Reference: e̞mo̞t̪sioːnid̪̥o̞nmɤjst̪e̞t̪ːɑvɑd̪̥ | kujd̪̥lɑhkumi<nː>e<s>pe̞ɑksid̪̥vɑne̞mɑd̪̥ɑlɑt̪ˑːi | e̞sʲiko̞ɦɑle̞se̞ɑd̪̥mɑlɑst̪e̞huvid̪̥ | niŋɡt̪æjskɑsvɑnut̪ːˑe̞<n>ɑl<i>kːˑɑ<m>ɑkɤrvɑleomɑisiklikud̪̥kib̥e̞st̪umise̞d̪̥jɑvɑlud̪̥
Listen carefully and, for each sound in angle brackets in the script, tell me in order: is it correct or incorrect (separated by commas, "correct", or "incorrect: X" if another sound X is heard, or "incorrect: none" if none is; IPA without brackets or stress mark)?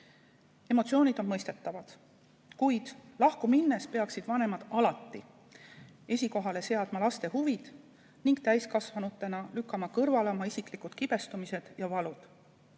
correct, correct, correct, incorrect: y, correct